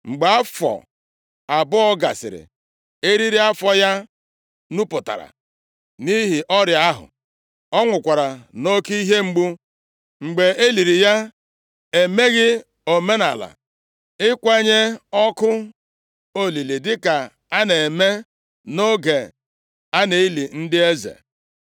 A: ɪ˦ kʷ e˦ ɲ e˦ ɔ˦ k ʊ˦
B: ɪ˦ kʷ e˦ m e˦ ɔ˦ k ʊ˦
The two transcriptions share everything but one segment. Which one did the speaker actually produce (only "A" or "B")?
A